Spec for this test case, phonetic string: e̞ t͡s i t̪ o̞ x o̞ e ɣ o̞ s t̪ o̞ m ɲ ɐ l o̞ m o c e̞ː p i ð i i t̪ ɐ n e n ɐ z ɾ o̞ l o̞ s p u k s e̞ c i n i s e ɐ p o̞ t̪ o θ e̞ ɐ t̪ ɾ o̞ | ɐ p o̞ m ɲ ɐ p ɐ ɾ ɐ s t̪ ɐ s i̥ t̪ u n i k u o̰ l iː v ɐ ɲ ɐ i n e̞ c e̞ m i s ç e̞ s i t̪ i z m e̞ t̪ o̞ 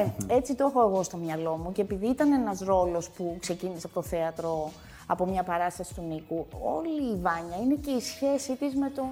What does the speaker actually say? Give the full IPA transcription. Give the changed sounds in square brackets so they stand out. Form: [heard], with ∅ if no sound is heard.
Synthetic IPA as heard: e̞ t͡s i t̪ o̞ x o̞ e ɣ o̞ s t̪ o̞ m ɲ ɐ l o̞ m [u] c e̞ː p i ð i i t̪ ɐ n e n ɐ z ɾ o̞ l o̞ s p u k s e̞ c i n i s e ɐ p o̞ t̪ o θ e̞ ɐ t̪ ɾ o̞ | ɐ p o̞ m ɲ ɐ p ɐ ɾ ɐ s t̪ ɐ s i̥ t̪ u n i k u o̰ l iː v ɐ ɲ ɐ i n e̞ c e̞ [∅] i s ç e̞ s i t̪ i z m e̞ t̪ o̞